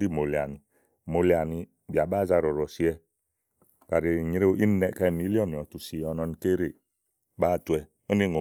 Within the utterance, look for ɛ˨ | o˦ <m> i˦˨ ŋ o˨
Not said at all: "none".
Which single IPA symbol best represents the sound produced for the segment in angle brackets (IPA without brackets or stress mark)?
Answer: n